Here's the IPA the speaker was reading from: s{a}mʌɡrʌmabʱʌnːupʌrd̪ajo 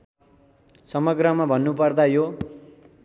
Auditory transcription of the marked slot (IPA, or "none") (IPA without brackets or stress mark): ʌ